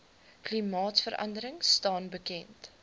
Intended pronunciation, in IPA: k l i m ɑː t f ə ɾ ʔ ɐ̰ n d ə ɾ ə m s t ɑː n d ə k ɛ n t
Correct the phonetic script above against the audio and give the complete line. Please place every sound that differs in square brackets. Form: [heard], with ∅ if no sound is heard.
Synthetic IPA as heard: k l i m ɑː t f ə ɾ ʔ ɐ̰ n d ə ɾ ə [ŋ] s t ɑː n [b] ə k ɛ n t